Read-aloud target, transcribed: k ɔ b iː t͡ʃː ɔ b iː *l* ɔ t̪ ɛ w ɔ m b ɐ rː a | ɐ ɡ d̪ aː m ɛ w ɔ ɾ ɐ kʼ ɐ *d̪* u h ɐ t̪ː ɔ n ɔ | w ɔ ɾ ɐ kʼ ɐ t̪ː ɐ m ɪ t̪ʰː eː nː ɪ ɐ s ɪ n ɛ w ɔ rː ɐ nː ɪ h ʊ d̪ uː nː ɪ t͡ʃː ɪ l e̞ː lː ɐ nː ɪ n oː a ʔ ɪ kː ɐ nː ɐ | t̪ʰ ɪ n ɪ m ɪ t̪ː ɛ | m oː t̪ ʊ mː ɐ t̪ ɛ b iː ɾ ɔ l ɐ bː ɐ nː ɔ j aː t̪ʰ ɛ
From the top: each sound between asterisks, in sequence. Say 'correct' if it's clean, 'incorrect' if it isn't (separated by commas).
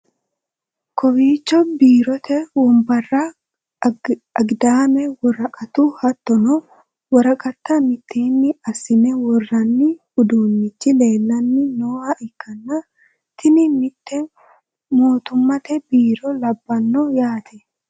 incorrect, incorrect